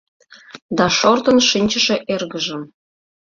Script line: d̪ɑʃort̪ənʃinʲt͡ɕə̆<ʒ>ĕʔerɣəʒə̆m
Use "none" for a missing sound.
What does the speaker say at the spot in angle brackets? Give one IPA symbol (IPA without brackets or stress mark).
ʃ